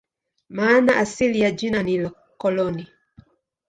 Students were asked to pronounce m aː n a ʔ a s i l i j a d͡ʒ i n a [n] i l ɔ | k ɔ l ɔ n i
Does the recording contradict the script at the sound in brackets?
no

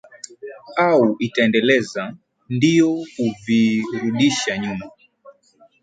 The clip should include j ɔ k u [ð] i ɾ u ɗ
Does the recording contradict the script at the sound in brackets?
yes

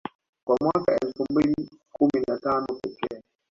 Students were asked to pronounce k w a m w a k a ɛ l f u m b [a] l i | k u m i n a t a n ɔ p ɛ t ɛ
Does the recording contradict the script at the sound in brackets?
yes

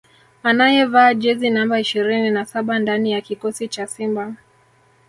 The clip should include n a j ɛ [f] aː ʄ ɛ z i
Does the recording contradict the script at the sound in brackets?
yes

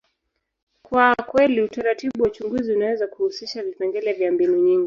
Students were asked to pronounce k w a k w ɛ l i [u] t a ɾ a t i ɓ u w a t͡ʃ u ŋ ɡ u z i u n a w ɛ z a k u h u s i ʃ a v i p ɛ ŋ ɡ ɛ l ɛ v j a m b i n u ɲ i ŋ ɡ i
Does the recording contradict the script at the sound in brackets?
no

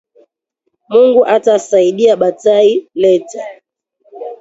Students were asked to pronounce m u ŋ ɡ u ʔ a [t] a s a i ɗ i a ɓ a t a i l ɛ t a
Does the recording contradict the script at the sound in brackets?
no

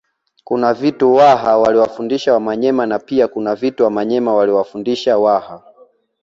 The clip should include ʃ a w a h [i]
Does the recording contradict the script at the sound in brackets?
yes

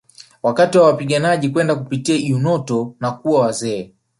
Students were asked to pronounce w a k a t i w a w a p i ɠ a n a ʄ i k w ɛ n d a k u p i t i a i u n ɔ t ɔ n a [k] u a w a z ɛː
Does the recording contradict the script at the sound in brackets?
no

